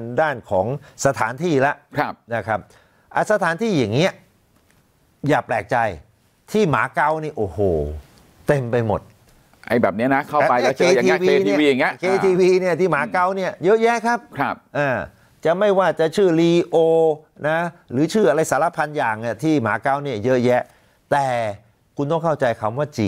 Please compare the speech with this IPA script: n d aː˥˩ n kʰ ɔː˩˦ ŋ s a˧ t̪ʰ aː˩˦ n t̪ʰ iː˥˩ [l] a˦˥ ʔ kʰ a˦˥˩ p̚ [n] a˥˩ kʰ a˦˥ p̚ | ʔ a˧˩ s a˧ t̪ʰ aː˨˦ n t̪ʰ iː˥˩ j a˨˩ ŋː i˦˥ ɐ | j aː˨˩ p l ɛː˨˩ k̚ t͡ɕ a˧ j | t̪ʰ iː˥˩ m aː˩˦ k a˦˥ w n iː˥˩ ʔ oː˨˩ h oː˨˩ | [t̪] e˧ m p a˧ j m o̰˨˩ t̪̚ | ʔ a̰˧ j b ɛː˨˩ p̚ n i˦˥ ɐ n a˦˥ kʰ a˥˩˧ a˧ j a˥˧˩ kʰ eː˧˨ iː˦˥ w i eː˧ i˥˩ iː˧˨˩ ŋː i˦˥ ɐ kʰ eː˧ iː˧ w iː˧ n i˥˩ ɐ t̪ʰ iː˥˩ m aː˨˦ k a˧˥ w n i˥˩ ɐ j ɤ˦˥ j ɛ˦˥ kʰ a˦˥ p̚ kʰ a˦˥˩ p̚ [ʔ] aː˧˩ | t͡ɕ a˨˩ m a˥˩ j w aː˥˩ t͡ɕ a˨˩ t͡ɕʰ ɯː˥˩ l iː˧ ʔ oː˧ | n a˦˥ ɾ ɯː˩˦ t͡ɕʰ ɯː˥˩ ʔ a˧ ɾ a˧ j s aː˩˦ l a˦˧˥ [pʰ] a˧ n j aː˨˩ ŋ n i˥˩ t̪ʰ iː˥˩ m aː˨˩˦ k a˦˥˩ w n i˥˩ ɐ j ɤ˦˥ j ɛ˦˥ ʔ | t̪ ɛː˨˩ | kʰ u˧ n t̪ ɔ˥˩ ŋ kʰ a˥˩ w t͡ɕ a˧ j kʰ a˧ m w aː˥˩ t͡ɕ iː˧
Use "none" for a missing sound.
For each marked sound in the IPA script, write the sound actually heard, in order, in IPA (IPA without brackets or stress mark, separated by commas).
l, n, t̪, ʔ, pʰ